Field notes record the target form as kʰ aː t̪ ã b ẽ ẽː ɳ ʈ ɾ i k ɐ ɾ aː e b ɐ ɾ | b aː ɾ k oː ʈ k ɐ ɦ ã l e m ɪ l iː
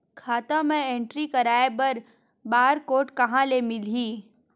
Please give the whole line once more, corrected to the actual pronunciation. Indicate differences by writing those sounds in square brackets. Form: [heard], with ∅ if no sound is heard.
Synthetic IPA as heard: kʰ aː t̪ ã [m] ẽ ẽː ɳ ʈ ɾ i k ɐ ɾ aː e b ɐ ɾ | b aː ɾ k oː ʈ k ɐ ɦ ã l e m ɪ l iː